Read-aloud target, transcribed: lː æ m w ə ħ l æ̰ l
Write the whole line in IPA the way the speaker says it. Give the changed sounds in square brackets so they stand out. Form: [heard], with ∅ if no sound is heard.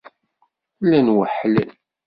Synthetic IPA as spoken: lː æ [n] w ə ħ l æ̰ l